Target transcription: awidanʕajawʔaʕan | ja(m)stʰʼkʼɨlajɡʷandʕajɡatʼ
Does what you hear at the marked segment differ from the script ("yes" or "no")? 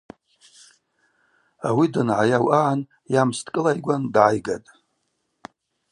no